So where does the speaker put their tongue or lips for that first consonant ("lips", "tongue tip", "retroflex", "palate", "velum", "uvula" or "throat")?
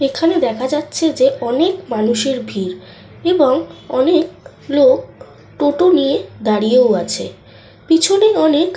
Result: velum